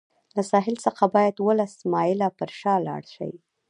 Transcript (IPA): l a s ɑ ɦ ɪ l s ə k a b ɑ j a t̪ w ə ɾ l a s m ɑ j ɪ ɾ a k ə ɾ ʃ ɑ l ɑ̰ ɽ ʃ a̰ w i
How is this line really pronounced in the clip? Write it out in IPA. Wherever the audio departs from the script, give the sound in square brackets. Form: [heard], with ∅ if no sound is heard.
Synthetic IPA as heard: l a s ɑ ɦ ɪ l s ə [x] a b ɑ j a [d̪] w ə [∅] l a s m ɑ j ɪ [l] a [p] ə ɾ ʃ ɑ l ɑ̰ ɽ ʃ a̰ w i